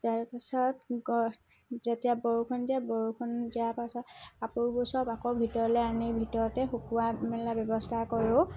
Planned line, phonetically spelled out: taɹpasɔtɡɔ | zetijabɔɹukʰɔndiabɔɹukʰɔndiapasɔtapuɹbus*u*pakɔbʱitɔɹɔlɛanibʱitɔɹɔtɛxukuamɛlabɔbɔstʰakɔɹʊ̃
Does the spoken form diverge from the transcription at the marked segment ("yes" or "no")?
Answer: yes